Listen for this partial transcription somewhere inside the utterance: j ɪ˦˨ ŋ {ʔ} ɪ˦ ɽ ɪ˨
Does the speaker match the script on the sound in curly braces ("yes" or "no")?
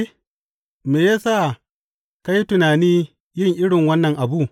yes